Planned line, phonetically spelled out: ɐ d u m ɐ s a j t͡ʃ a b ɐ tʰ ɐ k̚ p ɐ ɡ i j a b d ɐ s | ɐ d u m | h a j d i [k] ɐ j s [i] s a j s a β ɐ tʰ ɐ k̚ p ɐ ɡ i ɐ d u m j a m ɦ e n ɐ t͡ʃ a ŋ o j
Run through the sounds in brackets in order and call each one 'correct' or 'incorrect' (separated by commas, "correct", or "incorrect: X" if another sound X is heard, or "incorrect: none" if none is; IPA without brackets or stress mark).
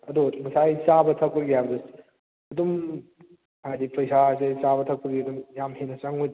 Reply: incorrect: p, incorrect: a